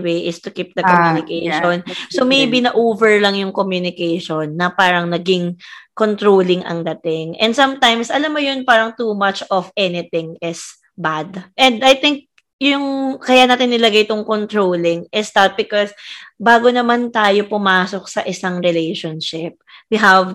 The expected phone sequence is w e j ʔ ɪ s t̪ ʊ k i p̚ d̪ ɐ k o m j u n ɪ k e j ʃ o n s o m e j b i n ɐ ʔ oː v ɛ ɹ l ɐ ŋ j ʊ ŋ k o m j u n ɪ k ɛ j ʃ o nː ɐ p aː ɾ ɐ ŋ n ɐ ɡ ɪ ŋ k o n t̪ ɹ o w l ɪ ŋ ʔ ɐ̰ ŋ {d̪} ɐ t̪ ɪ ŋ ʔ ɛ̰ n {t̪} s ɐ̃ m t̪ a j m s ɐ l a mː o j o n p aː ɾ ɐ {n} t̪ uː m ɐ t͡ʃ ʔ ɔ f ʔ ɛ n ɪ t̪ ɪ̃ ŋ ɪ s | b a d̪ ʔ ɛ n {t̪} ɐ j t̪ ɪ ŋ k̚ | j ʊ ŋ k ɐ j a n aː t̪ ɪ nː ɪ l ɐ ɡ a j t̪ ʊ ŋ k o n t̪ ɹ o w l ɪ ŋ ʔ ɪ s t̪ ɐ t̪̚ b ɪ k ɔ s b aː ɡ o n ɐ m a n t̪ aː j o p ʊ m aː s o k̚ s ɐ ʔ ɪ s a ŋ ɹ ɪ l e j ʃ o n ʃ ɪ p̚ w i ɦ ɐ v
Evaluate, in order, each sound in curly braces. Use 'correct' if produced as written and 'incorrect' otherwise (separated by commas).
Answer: correct, incorrect, incorrect, incorrect